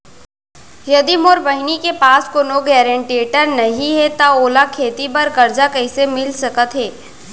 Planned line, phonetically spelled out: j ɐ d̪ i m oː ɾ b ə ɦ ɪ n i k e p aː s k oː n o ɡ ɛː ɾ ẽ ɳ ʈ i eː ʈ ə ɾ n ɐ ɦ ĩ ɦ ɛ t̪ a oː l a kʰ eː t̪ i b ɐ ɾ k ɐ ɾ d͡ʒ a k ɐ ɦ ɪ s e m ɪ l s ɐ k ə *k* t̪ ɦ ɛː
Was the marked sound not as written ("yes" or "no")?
yes